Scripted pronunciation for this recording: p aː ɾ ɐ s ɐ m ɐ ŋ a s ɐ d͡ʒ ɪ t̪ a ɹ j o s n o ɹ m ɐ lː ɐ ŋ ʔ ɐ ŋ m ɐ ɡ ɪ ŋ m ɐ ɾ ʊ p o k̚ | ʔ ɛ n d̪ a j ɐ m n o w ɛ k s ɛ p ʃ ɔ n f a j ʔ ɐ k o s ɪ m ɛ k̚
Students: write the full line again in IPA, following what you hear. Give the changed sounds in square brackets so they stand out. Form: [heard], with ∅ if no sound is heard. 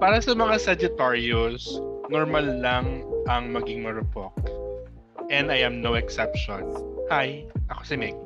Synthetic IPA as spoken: p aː ɾ ɐ s ɐ m ɐ ŋ a s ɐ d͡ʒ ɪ t̪ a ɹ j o s n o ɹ m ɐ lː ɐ ŋ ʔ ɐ ŋ m ɐ ɡ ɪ ŋ m ɐ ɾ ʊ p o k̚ | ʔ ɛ n d̪ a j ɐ m n o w ɛ k s ɛ p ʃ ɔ n [h] a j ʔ ɐ k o s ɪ m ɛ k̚